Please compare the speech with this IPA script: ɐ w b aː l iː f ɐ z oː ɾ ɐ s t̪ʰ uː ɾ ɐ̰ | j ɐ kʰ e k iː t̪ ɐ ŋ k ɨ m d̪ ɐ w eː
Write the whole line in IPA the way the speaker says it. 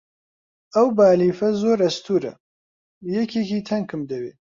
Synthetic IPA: ɐ w b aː l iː f ɐ z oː ɾ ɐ s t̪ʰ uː ɾ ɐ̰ | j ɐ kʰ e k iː t̪ʰ ɐ ŋ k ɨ m d̪ ɐ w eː

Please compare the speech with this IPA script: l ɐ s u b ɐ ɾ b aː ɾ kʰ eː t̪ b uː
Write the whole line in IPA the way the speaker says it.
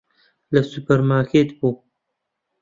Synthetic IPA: l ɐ s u p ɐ ɾ m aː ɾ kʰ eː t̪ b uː

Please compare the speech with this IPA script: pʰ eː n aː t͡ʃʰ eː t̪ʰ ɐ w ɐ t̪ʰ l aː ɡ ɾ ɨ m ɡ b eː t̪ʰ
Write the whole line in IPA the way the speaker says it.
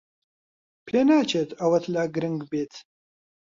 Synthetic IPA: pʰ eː n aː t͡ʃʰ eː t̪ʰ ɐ w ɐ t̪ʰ l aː ɡ ɾ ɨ ŋ ɡ b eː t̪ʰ

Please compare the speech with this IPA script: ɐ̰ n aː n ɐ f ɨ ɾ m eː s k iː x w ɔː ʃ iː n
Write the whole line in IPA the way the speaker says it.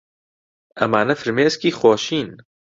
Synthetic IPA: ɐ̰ m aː n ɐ f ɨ ɾ m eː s k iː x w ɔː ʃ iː n

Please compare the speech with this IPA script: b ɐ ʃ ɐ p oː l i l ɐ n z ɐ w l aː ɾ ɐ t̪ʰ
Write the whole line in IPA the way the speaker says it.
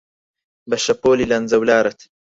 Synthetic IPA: b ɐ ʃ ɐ p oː l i l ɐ n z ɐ w l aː ɾ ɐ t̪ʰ

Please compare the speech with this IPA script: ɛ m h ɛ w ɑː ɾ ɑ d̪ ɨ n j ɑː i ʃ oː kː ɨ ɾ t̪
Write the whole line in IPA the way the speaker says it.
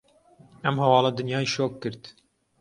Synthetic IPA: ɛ m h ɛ w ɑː l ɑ d̪ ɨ n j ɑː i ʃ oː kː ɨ ɾ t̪

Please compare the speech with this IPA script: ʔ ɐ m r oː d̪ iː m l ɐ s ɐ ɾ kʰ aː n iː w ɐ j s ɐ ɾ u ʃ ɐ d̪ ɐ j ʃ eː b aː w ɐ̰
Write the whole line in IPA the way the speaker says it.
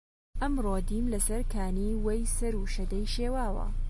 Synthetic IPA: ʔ ɐ m r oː d̪ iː m l ɐ s ɐ ɾ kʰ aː n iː w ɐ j s ɐ ɾ u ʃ ɐ d̪ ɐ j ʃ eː w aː w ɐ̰

